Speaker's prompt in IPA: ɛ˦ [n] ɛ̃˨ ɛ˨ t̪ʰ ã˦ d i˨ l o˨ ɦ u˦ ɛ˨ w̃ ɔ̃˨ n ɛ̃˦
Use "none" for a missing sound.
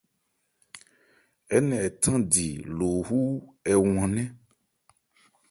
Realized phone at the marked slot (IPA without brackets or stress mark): n